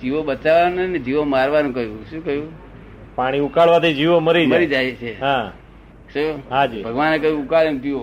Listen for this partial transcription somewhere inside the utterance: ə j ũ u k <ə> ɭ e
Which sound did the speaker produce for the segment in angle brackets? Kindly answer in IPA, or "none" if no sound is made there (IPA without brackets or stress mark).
a